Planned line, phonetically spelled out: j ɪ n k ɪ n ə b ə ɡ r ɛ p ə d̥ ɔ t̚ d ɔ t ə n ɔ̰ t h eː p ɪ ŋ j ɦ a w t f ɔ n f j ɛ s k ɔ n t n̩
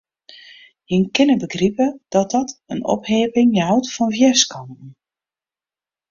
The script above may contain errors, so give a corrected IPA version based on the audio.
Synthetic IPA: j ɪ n k ɪ n ə b ə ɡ r i p ə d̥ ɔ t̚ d ɔ t ə n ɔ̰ p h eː p ɪ ŋ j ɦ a w t f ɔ n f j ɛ s k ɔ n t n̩